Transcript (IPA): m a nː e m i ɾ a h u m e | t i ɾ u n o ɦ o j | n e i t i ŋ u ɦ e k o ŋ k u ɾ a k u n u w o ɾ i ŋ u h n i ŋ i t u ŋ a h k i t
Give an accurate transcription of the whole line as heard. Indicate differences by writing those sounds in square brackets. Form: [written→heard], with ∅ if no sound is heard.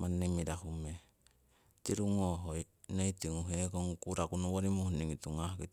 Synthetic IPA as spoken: m a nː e m i ɾ a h u m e | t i ɾ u [n→ŋ] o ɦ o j | n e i t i ŋ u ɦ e k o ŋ k u ɾ a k u n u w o ɾ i [ŋ→m] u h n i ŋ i t u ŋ a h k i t